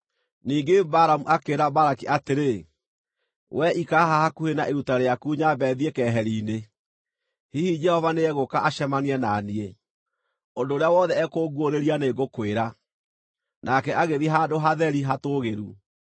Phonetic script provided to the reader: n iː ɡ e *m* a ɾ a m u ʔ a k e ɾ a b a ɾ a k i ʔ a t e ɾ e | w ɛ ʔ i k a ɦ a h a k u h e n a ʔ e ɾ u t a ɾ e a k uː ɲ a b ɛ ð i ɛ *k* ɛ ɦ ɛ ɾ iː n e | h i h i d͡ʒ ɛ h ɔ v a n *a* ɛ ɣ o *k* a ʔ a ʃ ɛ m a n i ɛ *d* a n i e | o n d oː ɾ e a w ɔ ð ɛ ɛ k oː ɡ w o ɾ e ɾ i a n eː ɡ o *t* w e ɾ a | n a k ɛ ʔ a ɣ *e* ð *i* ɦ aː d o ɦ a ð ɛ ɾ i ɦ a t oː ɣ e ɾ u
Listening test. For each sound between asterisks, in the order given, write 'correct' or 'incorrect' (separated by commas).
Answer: incorrect, correct, incorrect, correct, incorrect, incorrect, correct, correct